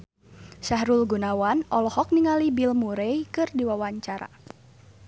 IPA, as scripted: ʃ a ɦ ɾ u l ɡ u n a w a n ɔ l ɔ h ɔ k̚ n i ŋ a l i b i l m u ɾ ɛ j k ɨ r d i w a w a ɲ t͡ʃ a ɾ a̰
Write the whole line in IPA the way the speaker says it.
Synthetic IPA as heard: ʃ a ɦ ɾ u l ɡ u n a w a n ɔ l ɔ h ɔ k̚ n i ŋ a l i b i l m u ɾ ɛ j k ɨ r d i w a w a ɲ t͡ʃ a ɾ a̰